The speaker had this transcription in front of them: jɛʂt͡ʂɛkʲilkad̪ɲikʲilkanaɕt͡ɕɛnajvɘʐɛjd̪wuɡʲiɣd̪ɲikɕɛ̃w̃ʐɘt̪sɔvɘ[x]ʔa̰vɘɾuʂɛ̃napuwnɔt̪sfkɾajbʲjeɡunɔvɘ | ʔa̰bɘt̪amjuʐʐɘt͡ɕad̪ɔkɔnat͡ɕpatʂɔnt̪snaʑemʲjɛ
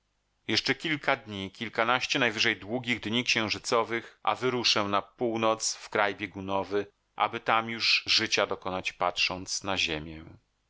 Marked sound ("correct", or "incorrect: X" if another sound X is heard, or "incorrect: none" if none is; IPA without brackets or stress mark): correct